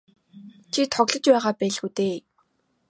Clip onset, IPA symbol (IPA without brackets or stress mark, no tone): t͡ɕʰ